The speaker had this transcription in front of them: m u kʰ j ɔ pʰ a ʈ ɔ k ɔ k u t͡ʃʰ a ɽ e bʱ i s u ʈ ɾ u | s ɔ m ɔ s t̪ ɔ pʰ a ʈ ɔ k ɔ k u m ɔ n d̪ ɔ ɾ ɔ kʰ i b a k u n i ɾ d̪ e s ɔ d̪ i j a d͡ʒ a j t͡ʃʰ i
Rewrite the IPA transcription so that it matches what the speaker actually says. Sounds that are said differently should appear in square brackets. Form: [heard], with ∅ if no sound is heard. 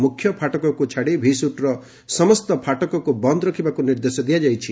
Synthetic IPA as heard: m u kʰ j ɔ pʰ a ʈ ɔ k ɔ k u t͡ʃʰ a ɽ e bʱ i s u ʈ ɾ [ɔ] | s ɔ m ɔ s t̪ ɔ pʰ a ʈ ɔ k ɔ k u [b] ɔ n d̪ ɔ ɾ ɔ kʰ i b a k u n i ɾ d̪ e s ɔ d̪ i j a d͡ʒ a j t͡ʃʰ i